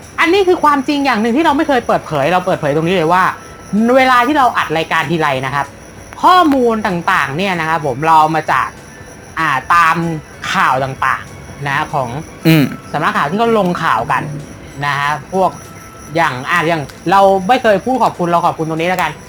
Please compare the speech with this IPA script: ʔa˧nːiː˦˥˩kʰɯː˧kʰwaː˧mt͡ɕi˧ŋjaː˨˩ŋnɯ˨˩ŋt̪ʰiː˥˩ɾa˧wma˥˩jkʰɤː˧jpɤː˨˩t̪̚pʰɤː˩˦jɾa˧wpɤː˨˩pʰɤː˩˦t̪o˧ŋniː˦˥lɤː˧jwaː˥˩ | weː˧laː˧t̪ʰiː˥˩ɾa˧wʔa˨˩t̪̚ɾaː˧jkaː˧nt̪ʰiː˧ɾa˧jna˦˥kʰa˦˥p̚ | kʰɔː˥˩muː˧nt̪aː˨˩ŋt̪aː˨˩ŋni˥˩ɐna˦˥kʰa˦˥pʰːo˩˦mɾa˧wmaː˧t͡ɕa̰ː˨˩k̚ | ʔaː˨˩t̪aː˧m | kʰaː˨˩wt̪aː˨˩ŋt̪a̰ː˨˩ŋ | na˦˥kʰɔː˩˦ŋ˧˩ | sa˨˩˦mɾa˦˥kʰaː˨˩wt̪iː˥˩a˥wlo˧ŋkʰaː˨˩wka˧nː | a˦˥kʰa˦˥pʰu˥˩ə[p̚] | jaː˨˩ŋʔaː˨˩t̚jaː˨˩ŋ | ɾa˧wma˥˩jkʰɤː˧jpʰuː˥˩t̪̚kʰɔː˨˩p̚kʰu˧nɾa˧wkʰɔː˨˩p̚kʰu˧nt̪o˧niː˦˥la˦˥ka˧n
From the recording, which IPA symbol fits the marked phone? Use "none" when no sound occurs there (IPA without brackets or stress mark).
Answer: k̚